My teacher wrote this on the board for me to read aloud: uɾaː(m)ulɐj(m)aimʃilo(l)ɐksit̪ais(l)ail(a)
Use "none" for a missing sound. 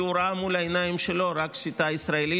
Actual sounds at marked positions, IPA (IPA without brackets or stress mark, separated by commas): m, n, ɾ, ɾ, i